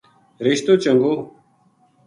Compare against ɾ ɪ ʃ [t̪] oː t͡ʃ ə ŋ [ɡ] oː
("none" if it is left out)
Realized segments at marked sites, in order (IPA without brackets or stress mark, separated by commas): t̪, ɡ